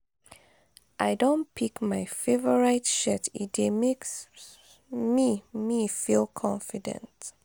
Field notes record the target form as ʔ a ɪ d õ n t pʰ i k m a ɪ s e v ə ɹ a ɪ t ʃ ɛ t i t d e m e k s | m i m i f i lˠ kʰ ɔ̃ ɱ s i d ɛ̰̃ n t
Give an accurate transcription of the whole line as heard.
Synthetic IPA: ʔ a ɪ d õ n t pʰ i k m a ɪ f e v ə ɹ a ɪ t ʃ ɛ t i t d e m e k s | m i m i f i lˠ kʰ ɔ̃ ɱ f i d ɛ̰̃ n t

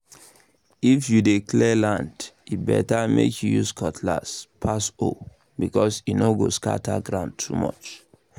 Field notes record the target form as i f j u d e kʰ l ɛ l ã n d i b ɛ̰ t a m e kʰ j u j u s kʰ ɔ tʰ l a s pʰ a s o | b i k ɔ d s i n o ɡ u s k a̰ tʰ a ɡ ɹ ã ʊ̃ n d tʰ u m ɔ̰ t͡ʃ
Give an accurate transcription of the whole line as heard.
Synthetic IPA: i f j u d e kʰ l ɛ l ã n d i b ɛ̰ t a m e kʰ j u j u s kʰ ɔ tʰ l a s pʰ a s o | b i k ɔ s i n o ɡ o s k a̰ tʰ a ɡ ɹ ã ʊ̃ n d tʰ u m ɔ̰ t͡ʃ

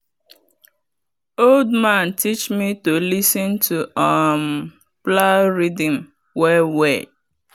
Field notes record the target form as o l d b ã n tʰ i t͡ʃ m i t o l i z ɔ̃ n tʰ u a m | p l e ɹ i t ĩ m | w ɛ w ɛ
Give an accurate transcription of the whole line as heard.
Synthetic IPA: o l d m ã n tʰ i t͡ʃ m i t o l i s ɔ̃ n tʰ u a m | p l a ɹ i d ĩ m | w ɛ w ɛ

